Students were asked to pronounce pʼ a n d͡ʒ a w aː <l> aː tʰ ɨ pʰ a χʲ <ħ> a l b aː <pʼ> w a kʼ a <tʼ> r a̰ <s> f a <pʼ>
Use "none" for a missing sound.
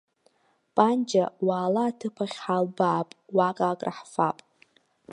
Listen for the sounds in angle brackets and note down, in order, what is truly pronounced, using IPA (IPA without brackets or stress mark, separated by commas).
l, ħ, pʼ, kʼ, ħ, pʼ